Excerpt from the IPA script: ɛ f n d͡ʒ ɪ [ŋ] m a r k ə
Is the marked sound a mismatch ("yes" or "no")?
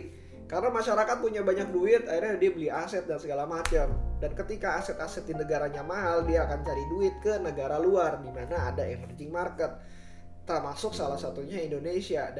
no